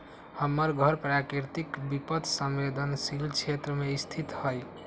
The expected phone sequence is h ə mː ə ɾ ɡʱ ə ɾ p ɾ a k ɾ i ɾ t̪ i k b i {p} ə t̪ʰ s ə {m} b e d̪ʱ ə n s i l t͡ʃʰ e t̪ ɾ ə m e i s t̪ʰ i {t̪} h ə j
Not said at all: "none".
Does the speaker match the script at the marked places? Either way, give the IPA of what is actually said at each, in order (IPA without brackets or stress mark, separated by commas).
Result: p, m, t̪